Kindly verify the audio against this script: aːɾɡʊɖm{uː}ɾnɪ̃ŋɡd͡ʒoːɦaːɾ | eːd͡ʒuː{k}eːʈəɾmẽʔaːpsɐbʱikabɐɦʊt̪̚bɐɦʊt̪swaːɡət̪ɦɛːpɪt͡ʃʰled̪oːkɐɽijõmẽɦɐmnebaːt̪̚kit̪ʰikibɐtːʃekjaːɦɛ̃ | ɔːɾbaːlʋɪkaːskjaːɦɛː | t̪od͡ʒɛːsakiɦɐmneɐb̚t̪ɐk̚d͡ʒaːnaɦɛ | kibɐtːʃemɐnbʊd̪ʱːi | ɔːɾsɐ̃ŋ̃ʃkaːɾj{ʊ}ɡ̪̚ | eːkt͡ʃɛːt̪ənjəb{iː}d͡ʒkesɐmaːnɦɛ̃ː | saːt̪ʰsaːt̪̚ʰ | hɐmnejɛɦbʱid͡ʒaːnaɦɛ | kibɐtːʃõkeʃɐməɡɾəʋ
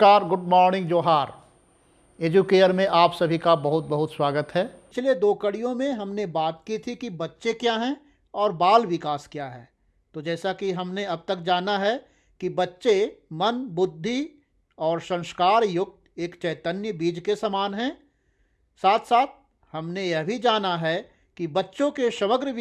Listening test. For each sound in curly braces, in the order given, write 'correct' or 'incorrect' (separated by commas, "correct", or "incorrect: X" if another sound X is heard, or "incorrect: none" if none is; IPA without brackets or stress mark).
incorrect: ɔː, correct, correct, correct